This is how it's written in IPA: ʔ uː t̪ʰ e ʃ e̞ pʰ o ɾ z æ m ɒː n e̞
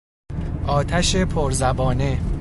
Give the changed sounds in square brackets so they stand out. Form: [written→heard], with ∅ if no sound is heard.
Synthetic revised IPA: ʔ [uː→ɒː] t̪ʰ [e→æ] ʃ e̞ pʰ o ɾ z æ [m→b] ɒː n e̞